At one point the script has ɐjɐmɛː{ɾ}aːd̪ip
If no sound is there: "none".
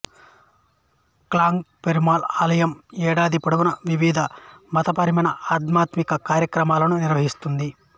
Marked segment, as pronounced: ɽ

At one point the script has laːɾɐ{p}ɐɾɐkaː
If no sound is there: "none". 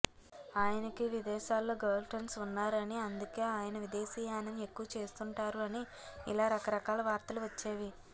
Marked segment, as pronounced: k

